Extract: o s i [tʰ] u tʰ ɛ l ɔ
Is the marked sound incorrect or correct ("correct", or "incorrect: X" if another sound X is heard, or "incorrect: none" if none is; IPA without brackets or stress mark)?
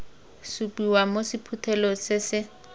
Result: incorrect: pʰ